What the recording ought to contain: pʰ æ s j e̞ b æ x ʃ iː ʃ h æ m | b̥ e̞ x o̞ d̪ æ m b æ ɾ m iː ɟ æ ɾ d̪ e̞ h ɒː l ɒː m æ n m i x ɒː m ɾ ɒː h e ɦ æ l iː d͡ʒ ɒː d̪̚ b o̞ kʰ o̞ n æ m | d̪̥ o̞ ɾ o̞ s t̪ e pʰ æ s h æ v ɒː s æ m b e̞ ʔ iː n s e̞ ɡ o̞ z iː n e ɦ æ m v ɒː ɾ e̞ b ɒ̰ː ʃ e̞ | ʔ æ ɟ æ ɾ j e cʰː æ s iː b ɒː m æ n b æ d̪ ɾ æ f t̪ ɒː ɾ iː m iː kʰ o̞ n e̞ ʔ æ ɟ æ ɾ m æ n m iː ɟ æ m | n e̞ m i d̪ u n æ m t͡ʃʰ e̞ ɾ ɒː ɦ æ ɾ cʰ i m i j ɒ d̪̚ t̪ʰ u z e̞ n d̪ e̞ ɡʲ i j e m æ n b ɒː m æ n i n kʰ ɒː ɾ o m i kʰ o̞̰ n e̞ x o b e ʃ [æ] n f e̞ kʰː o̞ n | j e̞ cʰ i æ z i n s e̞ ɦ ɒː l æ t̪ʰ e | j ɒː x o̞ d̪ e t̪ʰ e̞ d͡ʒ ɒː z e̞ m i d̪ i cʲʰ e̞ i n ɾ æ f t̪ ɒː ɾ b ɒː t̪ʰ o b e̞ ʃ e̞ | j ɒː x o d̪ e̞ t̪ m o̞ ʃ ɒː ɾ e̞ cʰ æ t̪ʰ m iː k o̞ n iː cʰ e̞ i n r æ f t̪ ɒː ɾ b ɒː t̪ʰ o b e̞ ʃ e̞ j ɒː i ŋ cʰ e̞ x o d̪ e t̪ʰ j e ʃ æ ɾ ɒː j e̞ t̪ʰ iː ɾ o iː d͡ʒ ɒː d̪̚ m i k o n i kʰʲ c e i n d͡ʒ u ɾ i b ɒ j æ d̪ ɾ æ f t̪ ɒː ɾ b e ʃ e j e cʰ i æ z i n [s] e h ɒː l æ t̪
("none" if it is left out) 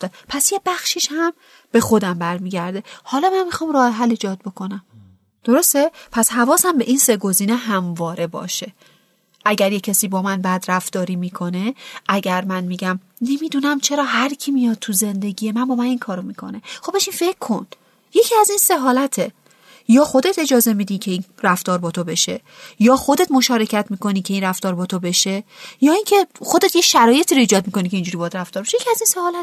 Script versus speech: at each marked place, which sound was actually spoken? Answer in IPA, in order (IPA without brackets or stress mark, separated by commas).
i, s